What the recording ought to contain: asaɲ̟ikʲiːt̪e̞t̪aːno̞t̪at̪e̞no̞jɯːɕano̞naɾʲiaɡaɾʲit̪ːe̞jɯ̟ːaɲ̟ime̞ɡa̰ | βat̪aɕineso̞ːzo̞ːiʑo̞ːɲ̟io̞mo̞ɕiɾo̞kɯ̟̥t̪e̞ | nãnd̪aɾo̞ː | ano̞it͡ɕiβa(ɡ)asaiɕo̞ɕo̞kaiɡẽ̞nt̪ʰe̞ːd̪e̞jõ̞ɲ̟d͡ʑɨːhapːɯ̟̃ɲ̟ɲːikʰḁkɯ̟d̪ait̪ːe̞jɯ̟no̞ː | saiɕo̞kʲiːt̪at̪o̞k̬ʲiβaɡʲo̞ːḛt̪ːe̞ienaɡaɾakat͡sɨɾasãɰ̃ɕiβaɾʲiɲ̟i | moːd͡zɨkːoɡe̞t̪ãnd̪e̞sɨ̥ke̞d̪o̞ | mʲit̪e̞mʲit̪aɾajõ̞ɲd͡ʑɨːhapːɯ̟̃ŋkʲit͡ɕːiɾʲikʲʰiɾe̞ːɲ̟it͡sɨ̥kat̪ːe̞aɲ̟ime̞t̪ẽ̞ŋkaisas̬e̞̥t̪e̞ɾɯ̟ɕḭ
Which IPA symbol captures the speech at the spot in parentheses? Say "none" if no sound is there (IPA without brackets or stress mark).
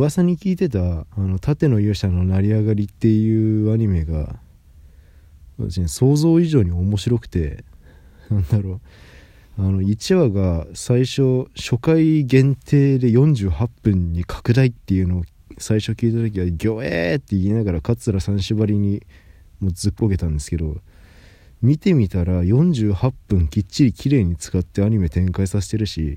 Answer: ɡ